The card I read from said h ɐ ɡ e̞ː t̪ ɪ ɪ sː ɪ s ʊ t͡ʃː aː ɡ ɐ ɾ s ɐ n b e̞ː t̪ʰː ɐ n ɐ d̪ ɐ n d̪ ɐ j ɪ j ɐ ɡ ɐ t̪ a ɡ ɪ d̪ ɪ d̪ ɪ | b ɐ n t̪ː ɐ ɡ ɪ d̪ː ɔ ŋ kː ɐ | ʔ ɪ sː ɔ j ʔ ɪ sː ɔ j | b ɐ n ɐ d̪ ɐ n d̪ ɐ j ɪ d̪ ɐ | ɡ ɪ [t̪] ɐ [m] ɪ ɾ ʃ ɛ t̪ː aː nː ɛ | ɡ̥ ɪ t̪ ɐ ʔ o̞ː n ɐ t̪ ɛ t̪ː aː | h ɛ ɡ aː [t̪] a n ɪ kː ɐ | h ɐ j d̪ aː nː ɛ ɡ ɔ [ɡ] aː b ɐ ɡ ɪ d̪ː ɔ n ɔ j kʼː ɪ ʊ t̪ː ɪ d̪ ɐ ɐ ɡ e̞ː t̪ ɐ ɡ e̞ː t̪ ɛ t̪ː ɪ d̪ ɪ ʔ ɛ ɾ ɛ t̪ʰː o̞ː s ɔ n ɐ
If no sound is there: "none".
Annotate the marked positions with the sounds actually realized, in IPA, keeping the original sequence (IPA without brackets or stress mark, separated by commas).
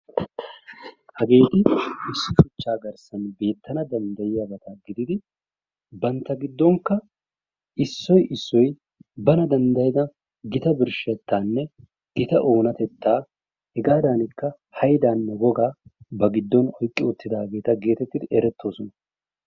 t̪, b, d̪, ɡ